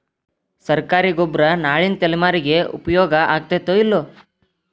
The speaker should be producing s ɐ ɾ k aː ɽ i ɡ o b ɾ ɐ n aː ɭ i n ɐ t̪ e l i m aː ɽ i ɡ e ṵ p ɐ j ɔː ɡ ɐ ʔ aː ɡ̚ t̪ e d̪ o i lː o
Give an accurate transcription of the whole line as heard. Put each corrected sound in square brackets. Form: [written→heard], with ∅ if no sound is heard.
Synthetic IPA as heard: s ɐ ɾ k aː [ɽ→ɾ] i ɡ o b ɾ ɐ n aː ɭ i n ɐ t̪ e l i m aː [ɽ→ɾ] i ɡ e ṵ p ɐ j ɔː ɡ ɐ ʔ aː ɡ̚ t̪ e [d̪→t̪] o i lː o